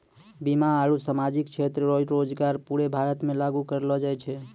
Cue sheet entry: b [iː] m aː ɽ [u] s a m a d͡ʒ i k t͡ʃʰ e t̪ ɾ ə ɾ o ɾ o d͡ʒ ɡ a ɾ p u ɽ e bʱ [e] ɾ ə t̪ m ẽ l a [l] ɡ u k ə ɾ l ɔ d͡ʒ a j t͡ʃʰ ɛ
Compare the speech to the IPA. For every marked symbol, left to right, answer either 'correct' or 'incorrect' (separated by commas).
incorrect, correct, incorrect, incorrect